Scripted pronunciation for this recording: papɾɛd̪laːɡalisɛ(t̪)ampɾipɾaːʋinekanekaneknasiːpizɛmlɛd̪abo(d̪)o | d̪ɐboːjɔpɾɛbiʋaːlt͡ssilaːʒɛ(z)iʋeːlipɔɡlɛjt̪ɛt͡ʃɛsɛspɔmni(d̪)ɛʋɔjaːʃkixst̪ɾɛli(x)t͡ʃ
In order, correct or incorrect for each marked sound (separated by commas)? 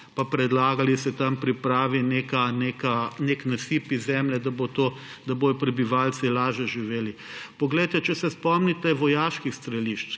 correct, incorrect, incorrect, incorrect, incorrect